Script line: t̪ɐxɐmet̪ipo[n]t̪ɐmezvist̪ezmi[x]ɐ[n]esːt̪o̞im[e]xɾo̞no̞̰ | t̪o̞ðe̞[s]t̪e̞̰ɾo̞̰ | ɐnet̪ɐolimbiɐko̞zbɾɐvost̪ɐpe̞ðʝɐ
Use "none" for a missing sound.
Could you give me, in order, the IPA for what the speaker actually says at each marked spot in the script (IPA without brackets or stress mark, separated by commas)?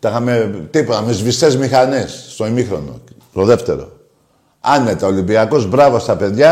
none, x, n, i, f